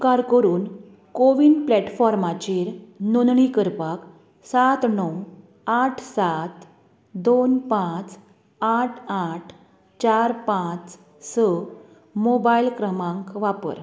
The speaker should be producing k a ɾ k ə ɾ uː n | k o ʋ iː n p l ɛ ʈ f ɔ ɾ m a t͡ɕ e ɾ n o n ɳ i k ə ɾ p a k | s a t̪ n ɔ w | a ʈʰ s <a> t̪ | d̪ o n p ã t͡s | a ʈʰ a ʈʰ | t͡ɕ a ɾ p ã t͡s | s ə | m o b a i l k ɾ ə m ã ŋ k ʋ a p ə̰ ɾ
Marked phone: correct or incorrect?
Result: correct